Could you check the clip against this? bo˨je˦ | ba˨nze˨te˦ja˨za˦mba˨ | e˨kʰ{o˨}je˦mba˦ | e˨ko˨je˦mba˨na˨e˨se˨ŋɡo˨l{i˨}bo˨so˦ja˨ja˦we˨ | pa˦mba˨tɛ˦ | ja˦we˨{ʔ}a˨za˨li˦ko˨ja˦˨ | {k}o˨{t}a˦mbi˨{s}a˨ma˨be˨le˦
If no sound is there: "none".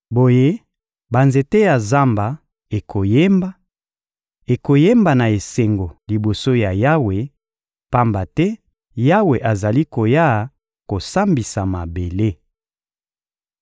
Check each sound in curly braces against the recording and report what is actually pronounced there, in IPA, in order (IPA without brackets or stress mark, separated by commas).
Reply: o˨, i˨, ʔ, k, s, s